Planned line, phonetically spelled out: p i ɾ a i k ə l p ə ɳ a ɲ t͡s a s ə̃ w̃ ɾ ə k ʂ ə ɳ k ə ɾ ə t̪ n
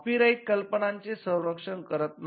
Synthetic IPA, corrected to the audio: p i ɾ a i k ə l p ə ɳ a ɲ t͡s e s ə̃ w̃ ɾ ə k ʂ ə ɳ k ə ɾ ə t̪ n